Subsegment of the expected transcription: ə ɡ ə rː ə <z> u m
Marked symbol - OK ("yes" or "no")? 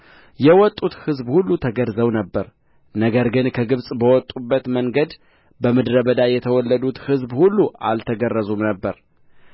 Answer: yes